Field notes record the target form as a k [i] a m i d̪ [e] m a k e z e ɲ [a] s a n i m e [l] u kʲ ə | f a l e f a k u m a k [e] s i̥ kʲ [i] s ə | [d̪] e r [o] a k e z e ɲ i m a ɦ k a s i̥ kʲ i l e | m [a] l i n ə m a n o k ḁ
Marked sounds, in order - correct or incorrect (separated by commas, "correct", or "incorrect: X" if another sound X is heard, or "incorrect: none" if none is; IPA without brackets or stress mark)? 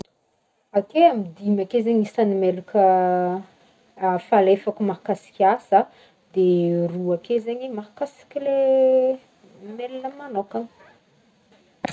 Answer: incorrect: e, incorrect: i, incorrect: i, correct, incorrect: a, incorrect: a, correct, incorrect: u, incorrect: e